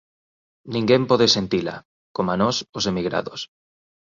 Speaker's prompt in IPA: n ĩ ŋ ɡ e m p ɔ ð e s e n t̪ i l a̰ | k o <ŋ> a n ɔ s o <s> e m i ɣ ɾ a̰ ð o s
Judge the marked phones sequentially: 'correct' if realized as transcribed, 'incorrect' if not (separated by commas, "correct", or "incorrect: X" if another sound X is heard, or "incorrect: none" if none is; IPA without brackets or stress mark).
incorrect: m, correct